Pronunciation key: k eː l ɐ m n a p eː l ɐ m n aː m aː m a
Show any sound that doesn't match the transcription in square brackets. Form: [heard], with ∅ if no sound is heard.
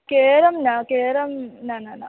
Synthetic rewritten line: k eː [ɾ] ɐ m n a [k] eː [ɾ] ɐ m n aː [n] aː [n] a